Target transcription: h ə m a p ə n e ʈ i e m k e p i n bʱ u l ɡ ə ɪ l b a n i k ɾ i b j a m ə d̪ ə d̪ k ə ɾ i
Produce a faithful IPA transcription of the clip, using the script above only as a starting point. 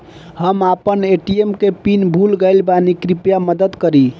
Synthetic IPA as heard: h ə m a p ə n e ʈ i e m k e p i n bʱ u l ɡ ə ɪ l b a n i k ɾ i p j a m ə d̪ ə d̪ k ə ɾ i